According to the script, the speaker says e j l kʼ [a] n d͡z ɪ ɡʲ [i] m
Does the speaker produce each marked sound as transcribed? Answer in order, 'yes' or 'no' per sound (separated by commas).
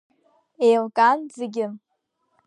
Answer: yes, no